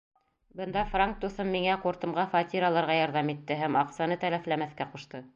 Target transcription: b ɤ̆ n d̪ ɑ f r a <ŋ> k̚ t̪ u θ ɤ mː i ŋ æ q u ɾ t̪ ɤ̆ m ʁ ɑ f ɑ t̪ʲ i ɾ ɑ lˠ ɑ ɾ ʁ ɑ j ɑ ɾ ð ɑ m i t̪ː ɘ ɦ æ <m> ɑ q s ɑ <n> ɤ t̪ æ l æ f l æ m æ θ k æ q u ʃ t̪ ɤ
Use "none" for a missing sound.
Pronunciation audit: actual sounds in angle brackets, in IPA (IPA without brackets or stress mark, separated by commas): ŋ, m, n